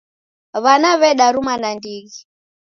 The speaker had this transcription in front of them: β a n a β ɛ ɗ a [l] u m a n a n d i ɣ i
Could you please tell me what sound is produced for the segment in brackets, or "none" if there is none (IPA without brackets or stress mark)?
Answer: ɾ